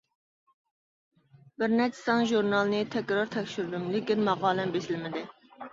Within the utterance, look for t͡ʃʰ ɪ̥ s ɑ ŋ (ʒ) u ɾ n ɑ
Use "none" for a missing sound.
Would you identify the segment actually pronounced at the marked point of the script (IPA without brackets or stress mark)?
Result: ʒ